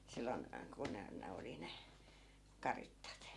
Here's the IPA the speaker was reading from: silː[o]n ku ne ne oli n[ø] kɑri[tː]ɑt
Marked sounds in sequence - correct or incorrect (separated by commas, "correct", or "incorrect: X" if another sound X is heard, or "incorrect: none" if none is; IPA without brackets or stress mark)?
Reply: correct, incorrect: e, correct